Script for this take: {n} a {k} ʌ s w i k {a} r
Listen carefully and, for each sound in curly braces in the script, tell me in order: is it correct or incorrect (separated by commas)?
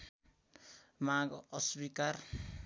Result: incorrect, incorrect, correct